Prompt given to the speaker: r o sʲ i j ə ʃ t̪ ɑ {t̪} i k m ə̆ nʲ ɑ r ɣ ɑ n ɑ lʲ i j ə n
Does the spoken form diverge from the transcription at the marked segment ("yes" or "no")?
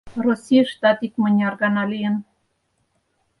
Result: no